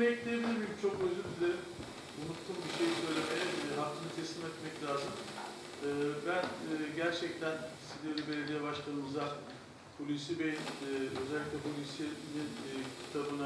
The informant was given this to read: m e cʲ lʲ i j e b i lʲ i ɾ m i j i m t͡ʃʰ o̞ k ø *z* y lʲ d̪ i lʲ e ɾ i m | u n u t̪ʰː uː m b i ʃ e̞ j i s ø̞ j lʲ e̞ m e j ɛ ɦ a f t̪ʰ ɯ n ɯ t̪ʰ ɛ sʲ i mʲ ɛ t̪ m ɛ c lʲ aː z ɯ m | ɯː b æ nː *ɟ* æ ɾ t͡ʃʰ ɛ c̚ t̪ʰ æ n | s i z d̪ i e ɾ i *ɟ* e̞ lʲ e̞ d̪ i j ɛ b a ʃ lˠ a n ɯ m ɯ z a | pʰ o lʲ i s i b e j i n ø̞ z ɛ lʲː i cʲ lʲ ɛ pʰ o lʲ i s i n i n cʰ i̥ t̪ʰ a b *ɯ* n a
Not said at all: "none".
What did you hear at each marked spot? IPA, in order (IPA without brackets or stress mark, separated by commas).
z, ɟ, b, ɯ